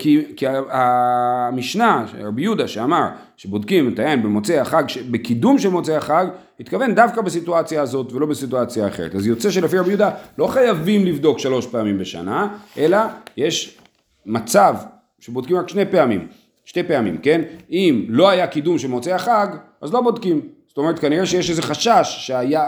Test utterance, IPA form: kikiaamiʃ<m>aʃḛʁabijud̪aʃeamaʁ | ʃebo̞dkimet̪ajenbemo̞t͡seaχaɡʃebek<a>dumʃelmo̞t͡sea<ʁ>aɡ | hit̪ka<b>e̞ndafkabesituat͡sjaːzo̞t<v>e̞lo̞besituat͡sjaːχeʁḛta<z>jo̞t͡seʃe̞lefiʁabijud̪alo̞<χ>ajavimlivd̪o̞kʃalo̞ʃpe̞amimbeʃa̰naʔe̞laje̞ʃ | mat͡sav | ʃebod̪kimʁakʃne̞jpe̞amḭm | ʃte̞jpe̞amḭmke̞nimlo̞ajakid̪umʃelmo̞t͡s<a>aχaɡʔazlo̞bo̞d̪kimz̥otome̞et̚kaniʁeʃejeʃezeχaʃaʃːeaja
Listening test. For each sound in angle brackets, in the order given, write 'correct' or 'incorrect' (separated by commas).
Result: incorrect, incorrect, incorrect, incorrect, correct, correct, correct, incorrect